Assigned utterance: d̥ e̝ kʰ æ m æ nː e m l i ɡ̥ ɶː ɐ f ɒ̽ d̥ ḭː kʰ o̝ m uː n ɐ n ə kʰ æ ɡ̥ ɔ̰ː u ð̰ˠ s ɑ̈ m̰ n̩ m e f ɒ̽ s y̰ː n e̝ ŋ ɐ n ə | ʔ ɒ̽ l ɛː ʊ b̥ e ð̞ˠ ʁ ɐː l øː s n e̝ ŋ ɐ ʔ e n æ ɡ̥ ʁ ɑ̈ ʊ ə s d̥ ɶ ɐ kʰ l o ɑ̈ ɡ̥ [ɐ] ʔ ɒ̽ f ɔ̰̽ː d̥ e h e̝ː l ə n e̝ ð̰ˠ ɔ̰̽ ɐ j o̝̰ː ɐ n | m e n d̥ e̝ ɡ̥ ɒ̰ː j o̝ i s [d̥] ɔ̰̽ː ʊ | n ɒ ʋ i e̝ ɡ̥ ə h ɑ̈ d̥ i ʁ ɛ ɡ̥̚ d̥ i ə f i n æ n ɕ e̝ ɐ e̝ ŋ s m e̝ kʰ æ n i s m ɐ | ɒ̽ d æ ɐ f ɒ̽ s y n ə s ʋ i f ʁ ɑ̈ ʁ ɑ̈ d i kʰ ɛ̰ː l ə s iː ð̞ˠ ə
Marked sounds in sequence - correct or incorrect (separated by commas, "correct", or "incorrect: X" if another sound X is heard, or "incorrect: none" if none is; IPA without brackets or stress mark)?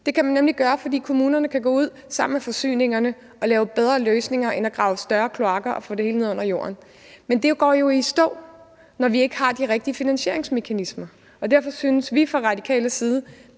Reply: correct, correct